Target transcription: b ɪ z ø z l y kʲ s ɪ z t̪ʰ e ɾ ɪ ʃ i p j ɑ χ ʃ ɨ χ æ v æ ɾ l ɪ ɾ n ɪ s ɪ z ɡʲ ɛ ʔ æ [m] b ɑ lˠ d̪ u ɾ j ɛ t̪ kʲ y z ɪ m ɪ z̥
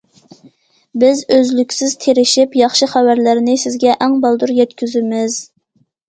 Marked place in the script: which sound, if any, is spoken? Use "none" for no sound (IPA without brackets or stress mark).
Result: ŋ